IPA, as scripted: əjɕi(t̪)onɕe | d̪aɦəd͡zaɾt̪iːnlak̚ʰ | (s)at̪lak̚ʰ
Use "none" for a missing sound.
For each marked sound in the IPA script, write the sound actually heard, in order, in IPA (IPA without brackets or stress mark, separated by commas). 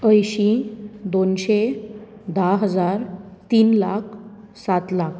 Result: d̪, s